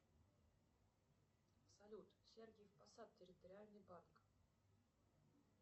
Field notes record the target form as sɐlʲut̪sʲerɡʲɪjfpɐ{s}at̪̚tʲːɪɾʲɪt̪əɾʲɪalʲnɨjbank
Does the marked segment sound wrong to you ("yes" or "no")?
no